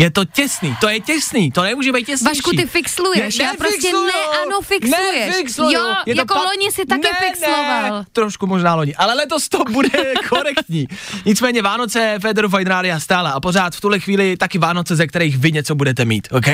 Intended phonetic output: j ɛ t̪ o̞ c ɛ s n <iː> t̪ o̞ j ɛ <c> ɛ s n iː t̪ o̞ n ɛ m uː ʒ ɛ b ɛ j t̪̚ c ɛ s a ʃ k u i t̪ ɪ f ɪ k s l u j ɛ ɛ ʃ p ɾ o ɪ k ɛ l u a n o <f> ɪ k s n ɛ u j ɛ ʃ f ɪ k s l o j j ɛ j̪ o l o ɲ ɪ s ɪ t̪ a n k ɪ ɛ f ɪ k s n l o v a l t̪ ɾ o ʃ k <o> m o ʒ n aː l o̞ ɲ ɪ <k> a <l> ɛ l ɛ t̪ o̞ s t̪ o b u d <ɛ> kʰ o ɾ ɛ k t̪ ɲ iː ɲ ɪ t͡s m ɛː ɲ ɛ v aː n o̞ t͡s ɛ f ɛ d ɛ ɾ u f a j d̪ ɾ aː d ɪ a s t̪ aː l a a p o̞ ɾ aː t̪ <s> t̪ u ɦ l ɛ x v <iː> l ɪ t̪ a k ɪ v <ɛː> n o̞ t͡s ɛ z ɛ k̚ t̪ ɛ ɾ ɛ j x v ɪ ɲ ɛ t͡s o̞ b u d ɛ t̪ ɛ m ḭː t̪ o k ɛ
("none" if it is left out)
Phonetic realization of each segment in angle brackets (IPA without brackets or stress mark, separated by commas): iː, c, f, u, ʔ, l, ɛ, f, iː, aː